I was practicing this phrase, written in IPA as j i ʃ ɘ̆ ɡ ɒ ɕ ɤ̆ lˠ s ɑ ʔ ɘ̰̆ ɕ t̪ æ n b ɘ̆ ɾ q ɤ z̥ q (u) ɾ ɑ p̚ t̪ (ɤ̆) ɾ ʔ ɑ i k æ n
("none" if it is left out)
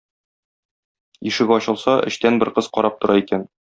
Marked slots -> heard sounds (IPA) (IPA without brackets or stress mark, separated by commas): ɒ, ŏ